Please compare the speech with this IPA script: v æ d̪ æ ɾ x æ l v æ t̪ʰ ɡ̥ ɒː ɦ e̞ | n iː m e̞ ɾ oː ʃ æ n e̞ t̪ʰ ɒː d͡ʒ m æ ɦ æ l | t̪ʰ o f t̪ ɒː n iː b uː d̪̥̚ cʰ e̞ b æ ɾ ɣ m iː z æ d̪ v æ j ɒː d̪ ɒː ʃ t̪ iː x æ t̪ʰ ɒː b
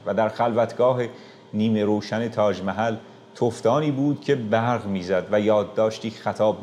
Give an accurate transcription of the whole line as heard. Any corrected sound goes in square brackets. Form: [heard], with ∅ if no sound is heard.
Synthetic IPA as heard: v æ d̪ æ ɾ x æ l v æ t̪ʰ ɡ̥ ɒː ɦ e̞ | n iː m e̞ ɾ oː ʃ æ n e̞ t̪ʰ ɒː d͡ʒ m æ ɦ æ l | t̪ʰ o f t̪ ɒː n iː b uː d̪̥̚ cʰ e̞ b æ ɾ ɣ m iː z æ d̪ v æ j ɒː [d̪ː] ɒː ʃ t̪ iː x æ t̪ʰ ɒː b